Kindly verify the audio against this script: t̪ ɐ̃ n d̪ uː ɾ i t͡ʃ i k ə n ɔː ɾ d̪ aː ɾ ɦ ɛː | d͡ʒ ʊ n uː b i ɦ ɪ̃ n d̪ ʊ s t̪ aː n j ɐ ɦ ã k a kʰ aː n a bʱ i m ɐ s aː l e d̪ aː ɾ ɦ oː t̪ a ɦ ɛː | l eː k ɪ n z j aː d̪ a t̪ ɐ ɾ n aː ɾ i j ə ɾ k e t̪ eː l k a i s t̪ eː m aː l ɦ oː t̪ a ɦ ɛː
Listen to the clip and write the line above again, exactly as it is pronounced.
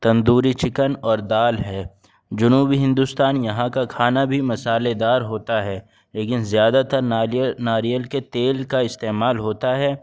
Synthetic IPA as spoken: t̪ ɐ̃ n d̪ uː ɾ i t͡ʃ ɪ k ə n ɔː ɾ d̪ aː l ɦ ɛː | d͡ʒ ʊ n uː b i ɦ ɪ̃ n d̪ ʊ s t̪ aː n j ɐ ɦ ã k a kʰ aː n a bʱ i m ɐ s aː l e d̪ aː ɾ ɦ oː t̪ a ɦ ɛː | l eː k ɪ n z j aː d̪ a t̪ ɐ ɾ n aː ɾ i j ə l k e t̪ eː l k a ɪ s t̪ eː m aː l ɦ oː t̪ a ɦ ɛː

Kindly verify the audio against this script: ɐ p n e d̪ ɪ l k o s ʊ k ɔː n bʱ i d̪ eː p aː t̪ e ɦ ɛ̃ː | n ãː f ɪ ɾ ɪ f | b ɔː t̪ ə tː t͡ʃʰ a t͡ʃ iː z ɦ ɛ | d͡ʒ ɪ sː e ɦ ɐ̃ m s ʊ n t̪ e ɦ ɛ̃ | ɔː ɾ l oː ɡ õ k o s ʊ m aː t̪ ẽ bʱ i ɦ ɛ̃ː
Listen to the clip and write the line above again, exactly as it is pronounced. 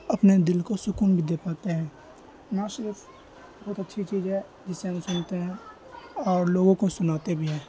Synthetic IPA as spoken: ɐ p n e d̪ ɪ l k o s ʊ k uː n bʱ i d̪ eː p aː t̪ e ɦ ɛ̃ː | n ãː ʃ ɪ ɾ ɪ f | b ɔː t̪ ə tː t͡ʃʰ i t͡ʃ iː z ɦ ɛ | d͡ʒ ɪ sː e ɦ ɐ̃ m s ʊ n t̪ e ɦ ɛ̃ | ɔː ɾ l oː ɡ õ k o s ʊ n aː t̪ e bʱ i ɦ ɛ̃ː

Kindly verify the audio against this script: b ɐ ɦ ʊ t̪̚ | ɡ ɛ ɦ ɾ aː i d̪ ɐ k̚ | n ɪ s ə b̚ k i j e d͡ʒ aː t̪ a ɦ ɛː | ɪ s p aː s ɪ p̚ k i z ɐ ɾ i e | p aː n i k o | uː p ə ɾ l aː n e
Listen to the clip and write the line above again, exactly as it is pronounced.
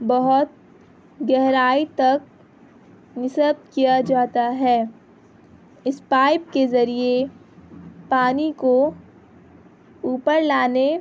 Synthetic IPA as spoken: b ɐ ɦ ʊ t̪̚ | ɡ ɛ ɦ ɾ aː i t̪ ɐ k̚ | n ɪ s ə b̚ k i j a d͡ʒ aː t̪ a ɦ ɛː | ɪ s p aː ɪ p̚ k e z ɐ ɾ i e | p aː n i k o | uː p ə ɾ l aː n e

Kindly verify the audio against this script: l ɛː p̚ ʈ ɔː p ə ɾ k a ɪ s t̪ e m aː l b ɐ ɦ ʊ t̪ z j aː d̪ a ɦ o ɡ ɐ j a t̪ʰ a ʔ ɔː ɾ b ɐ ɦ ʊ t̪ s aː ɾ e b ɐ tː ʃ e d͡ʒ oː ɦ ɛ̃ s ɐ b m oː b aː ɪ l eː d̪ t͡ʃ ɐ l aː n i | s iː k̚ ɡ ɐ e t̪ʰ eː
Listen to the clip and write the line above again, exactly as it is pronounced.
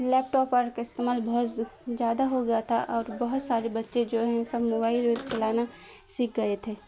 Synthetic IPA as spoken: l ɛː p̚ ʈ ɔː p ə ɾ k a ɪ s t̪ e m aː l b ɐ ɦ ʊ t̪ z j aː d̪ a ɦ o ɡ ɐ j a t̪ʰ a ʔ ɔː ɾ b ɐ ɦ ʊ t̪ s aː ɾ e b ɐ tː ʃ e d͡ʒ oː ɦ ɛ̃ s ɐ b m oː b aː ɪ l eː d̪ t͡ʃ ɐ l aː n a | s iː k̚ ɡ ɐ e t̪ʰ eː

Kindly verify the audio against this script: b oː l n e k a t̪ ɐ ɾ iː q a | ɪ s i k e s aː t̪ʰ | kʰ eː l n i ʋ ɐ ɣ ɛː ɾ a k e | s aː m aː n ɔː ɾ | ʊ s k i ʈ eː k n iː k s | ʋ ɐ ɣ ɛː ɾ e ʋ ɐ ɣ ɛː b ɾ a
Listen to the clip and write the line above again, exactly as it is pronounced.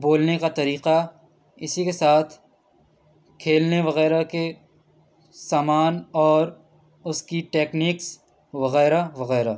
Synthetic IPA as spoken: b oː l n e k a t̪ ɐ ɾ iː q a | ɪ s i k e s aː t̪ʰ | kʰ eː l n e ʋ ɐ ɣ ɛː ɾ a k e | s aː m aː n ɔː ɾ | ʊ s k i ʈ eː k n iː k s | ʋ ɐ ɣ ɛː ɾ a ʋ ɐ ɣ ɛː ɾ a

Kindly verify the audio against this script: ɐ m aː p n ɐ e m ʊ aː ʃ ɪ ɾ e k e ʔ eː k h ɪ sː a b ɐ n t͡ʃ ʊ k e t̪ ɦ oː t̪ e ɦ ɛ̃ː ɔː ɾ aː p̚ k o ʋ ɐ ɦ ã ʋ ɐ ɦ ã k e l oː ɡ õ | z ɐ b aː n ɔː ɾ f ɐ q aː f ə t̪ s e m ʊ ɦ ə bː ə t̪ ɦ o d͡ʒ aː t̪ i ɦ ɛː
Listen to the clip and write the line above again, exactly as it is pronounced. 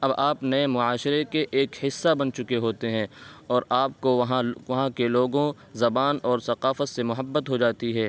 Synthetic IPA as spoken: ɐ b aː p n ɐ e m ʊ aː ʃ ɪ ɾ e k e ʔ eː k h ɪ sː a b ɐ n t͡ʃ ʊ k e ɦ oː t̪ e ɦ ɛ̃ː ɔː ɾ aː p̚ k o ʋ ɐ ɦ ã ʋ ɐ ɦ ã k e l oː ɡ õ | z ɐ b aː n ɔː ɾ s ɐ q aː f ə t̪ s e m ʊ ɦ ə bː ə t̪ ɦ o d͡ʒ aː t̪ i ɦ ɛː

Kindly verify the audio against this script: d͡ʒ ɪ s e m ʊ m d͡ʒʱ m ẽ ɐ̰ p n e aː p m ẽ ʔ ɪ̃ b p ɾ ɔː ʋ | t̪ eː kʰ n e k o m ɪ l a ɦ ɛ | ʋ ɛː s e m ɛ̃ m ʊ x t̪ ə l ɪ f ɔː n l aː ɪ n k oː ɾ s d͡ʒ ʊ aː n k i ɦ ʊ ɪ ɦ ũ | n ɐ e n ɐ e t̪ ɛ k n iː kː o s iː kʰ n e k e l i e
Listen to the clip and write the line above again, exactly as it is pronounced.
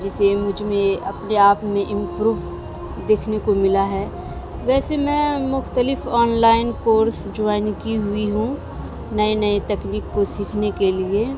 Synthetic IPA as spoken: d͡ʒ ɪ s e m ʊ d͡ʒʱ m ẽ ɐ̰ p n e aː p m ẽ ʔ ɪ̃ m p ɾ uː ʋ | d̪ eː kʰ n e k o m ɪ l a ɦ ɛ | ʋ ɛː s e m ɛ̃ m ʊ x t̪ ə l ɪ f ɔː n l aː ɪ n k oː ɾ s d͡ʒ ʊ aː n k i ɦ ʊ i ɦ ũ | n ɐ e n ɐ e t̪ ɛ k n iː kː o s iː kʰ n e k e l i e

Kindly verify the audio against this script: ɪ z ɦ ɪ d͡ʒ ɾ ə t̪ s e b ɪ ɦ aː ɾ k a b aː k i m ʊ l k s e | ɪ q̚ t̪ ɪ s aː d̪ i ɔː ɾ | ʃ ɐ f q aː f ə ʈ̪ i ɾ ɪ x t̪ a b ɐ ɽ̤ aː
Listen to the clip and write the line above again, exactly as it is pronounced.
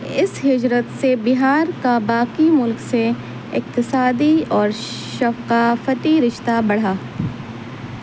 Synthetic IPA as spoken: ɪ s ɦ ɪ d͡ʒ ɾ ə t̪ s e b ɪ ɦ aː ɾ k a b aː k i m ʊ l k s e | ɪ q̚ t̪ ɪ s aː d̪ i ɔː ɾ | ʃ ɐ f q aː f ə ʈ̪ i ɾ ɪ ʃ t̪ a b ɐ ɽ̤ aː

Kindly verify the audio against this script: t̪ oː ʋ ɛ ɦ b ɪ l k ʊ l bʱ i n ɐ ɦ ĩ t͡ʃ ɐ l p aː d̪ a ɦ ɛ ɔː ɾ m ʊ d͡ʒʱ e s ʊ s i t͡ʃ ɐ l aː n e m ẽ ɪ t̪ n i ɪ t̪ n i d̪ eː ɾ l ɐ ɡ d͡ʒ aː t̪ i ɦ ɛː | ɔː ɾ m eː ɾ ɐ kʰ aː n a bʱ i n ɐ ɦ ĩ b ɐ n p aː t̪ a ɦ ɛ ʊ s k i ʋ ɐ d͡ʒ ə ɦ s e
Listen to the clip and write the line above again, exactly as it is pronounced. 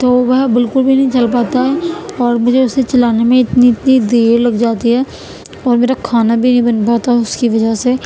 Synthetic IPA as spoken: t̪ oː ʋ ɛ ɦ b ɪ l k ʊ l bʱ i n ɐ ɦ ĩ t͡ʃ ɐ l p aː t̪ a ɦ ɛ ɔː ɾ m ʊ d͡ʒʱ e ʊ s e t͡ʃ ɐ l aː n e m ẽ ɪ t̪ n i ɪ t̪ n i d̪ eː ɾ l ɐ ɡ d͡ʒ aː t̪ i ɦ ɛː | ɔː ɾ m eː ɾ a kʰ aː n a bʱ i n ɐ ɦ ĩ b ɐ n p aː t̪ a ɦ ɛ ʊ s k i ʋ ɐ d͡ʒ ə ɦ s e

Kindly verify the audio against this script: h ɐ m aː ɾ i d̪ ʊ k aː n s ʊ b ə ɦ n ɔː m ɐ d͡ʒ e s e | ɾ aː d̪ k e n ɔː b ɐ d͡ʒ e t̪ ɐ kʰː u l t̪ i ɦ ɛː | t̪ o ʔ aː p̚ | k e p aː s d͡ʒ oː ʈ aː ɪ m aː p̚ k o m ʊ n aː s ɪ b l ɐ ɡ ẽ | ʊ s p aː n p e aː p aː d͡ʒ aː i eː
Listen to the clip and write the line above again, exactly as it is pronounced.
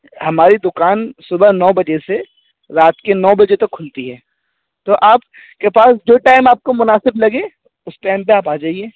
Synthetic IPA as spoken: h ɐ m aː ɾ i d̪ ʊ k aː n s ʊ b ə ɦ n ɔː b ɐ d͡ʒ e s e | ɾ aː t̪ k e n ɔː b ɐ d͡ʒ e t̪ ɐ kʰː ʊ l t̪ i ɦ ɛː | t̪ o ʔ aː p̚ | k e p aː s d͡ʒ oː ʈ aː ɪ m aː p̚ k o m ʊ n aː s ɪ b l ɐ ɡ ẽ | ʊ s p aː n p e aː p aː d͡ʒ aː i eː

